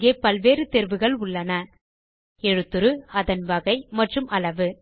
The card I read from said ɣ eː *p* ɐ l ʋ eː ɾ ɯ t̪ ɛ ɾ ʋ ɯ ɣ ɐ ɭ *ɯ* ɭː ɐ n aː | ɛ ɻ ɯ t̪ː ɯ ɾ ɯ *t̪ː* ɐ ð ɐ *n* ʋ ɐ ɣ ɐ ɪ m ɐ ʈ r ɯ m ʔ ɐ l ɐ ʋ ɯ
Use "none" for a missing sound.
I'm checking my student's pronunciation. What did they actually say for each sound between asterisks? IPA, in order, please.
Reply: p, ʊ, none, n

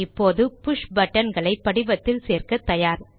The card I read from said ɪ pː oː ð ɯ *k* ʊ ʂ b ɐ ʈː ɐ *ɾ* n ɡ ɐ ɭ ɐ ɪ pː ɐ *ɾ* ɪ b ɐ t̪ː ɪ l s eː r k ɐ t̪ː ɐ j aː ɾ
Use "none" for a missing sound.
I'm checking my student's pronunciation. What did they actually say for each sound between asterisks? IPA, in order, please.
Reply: p, none, ɽ

